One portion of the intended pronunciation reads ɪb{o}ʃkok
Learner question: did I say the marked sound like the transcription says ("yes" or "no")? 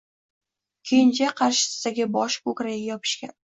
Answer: no